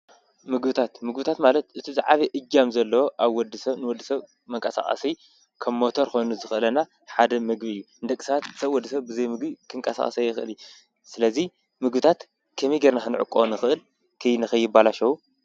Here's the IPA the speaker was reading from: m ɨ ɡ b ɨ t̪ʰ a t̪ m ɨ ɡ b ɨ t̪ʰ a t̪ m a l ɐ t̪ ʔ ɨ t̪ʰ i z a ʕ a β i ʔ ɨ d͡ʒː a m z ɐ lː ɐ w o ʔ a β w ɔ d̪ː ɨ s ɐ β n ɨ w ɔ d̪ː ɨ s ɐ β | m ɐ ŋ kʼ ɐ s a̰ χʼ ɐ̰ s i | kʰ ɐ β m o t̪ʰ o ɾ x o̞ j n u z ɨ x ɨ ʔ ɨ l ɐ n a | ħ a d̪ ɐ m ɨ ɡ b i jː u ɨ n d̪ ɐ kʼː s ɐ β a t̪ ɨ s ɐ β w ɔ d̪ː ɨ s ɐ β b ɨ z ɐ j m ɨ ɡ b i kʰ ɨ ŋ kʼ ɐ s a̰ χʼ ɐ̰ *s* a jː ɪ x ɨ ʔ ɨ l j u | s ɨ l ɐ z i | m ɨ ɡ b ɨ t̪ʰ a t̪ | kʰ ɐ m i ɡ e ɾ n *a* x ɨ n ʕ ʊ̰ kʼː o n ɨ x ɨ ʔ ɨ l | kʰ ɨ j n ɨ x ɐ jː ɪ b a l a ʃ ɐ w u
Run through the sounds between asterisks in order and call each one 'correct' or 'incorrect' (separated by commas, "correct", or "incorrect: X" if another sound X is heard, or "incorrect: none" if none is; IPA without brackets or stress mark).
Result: correct, correct